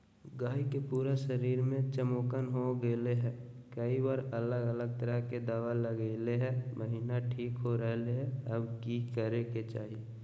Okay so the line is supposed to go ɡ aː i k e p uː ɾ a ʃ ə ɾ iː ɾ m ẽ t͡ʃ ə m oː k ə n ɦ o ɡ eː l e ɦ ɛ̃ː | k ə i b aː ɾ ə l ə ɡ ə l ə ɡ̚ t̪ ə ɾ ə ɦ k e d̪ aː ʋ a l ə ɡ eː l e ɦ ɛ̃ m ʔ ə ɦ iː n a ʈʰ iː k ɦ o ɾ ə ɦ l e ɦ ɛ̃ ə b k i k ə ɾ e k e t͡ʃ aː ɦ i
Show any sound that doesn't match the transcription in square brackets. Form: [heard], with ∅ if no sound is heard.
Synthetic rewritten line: ɡ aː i k e p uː ɾ a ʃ ə ɾ iː ɾ m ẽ t͡ʃ ə m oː k ə n ɦ o ɡ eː l e ɦ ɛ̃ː | k ə i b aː ɾ ə l ə ɡ ə l ə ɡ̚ t̪ ə ɾ ə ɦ k e d̪ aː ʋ a l ə ɡ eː l e ɦ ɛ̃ m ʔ ə ɦ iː n a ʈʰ iː k ɦ o ɾ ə ɦ l e ɦ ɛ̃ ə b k i k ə ɾ e k e t͡ʃ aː ɦ i